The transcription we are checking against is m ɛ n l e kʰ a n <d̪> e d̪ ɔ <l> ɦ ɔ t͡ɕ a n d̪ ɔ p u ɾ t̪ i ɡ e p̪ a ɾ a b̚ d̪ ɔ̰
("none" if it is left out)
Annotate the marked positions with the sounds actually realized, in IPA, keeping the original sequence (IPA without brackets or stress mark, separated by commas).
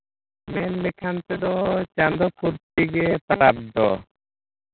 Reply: t̪, none